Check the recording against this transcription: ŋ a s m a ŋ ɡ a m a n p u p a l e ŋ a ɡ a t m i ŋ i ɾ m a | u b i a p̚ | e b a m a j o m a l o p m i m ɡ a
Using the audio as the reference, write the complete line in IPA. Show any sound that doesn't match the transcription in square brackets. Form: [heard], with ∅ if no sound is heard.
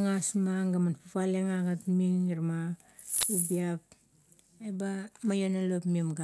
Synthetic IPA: ŋ a s m a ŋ ɡ a m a n p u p a l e ŋ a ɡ a t m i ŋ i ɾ m a | u b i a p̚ | e b a m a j o [n] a l o p m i m ɡ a